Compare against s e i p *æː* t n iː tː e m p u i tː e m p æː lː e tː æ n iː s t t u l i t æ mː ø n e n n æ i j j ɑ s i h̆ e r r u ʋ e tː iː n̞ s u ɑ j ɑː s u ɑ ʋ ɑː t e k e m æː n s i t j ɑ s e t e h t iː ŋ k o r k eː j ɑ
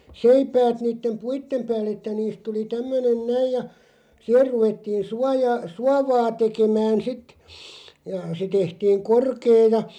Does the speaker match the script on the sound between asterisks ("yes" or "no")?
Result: yes